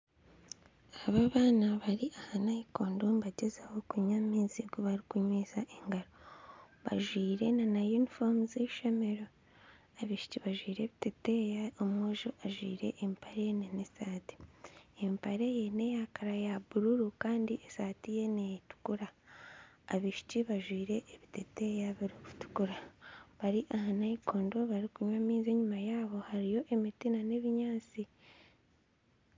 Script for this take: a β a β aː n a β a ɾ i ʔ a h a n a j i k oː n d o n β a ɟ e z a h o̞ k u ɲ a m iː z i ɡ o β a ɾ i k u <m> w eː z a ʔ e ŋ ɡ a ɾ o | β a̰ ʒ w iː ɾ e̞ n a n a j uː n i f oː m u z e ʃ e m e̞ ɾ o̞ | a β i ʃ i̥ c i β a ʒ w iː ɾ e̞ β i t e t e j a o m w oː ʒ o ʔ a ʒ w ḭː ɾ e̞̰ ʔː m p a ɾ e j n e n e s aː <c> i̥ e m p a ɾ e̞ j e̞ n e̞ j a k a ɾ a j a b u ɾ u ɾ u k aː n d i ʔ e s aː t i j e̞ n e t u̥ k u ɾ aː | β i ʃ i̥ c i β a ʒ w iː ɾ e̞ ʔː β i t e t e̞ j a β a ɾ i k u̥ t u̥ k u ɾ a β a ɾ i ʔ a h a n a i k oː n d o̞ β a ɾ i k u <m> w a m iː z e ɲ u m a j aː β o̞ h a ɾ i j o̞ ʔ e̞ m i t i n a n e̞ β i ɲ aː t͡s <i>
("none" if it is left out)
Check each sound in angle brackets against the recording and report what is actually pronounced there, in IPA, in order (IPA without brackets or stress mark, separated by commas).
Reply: ɲ, t, ɲ, i